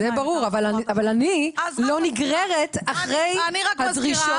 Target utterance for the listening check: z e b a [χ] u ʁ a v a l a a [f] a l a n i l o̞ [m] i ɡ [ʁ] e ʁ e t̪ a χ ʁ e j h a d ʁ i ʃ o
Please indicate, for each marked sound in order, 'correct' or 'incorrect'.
incorrect: ʁ, incorrect: v, incorrect: n, correct

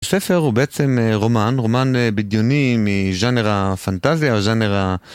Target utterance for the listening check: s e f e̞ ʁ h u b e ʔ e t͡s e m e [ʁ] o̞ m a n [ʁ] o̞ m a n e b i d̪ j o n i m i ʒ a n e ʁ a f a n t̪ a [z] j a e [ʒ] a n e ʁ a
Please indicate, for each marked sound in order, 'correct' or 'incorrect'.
correct, correct, correct, correct

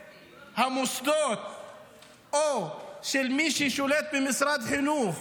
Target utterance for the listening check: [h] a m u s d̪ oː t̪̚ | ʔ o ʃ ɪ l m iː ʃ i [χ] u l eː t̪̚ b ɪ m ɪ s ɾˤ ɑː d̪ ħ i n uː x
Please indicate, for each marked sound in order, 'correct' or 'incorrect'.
correct, incorrect: ʃ

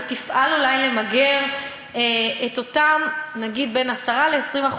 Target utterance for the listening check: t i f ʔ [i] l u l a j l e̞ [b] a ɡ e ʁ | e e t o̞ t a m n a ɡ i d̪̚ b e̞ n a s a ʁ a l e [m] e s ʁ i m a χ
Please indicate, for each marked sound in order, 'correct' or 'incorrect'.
incorrect: a, incorrect: m, incorrect: none

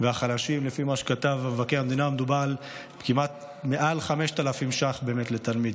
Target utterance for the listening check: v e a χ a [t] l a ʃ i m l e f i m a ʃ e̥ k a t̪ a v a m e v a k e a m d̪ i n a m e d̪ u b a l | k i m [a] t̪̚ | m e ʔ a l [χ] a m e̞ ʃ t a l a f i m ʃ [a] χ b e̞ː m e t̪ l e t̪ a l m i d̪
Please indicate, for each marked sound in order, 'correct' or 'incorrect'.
incorrect: none, correct, correct, correct

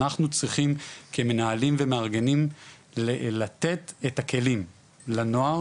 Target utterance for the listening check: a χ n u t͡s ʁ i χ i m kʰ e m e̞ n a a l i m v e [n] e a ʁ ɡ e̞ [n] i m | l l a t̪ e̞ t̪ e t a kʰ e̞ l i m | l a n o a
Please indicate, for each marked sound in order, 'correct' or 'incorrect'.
incorrect: m, correct

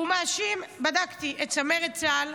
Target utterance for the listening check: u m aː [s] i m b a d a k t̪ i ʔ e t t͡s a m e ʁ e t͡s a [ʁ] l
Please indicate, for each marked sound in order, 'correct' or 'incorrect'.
incorrect: ʃ, incorrect: none

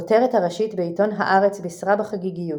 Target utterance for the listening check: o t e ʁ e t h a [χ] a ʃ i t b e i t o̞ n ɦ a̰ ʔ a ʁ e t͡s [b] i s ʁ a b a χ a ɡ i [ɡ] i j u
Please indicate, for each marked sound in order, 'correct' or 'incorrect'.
incorrect: ʁ, correct, correct

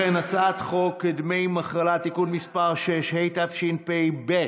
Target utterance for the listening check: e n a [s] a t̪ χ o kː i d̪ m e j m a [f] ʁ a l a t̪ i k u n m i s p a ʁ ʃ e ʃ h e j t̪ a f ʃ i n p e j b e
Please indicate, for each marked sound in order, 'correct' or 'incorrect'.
incorrect: t͡s, incorrect: χ

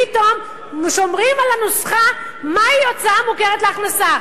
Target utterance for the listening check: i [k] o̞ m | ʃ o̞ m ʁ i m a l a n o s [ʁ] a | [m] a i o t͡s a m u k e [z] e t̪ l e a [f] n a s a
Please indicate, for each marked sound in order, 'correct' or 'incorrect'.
incorrect: t, incorrect: χ, correct, incorrect: ʁ, incorrect: χ

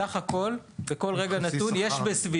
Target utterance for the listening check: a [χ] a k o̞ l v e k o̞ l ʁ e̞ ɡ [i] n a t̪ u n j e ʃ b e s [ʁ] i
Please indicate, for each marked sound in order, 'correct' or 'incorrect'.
correct, incorrect: a, incorrect: v

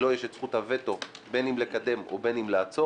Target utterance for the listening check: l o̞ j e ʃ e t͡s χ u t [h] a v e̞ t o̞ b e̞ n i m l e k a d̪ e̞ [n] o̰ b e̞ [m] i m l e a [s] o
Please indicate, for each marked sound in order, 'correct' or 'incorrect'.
correct, incorrect: m, incorrect: n, incorrect: t͡s

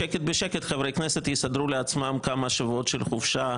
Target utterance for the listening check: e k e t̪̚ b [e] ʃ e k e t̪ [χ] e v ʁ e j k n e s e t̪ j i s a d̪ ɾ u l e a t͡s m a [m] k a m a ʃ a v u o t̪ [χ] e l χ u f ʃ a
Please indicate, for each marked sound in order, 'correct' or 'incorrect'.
correct, correct, correct, incorrect: ʃ

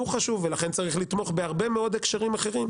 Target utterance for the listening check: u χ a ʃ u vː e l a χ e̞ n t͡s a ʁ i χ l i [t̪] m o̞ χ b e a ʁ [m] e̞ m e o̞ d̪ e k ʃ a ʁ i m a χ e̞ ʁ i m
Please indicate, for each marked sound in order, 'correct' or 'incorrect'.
correct, incorrect: b

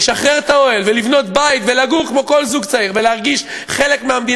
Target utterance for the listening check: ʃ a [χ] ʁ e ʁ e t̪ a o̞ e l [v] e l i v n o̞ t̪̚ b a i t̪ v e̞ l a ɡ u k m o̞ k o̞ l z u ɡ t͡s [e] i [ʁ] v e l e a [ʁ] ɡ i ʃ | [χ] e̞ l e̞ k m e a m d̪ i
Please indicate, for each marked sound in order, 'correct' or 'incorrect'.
correct, correct, incorrect: a, correct, correct, correct

